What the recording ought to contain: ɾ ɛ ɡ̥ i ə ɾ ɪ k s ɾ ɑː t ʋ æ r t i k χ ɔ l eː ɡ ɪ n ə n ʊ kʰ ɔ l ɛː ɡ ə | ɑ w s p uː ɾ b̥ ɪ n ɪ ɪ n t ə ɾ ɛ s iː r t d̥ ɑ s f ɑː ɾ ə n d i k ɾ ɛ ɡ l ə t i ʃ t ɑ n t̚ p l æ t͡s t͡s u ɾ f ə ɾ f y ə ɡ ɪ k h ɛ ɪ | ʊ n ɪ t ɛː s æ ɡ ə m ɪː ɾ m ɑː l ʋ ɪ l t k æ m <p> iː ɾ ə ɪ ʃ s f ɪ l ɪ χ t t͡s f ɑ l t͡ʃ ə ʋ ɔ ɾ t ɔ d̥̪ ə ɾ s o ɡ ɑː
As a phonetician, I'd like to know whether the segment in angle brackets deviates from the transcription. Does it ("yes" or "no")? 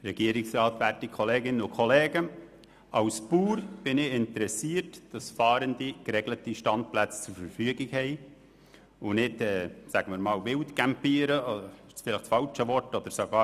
no